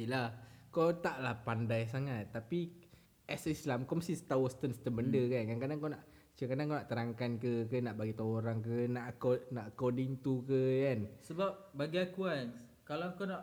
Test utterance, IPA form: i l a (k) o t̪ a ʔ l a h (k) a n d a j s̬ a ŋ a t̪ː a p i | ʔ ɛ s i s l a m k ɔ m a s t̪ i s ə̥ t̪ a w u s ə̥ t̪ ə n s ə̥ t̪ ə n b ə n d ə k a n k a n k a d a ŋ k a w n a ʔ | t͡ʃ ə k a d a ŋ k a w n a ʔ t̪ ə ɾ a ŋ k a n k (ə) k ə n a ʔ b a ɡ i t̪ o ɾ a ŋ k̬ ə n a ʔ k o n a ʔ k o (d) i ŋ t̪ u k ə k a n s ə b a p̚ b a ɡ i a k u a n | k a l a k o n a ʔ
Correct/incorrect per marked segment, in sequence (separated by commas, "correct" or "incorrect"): correct, incorrect, correct, correct